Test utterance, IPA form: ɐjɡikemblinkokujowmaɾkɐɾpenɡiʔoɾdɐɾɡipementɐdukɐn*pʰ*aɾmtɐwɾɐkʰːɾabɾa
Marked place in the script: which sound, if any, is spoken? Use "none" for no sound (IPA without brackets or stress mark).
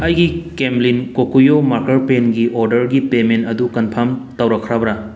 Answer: pʰ